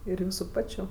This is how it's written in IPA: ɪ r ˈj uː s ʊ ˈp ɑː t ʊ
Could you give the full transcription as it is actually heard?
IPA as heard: ɪ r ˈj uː s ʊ ˈp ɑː t͡ʃʲ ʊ